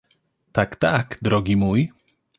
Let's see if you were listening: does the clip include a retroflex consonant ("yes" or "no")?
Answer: no